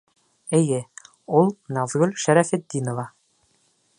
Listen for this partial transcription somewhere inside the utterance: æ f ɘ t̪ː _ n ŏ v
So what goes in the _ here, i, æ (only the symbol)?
i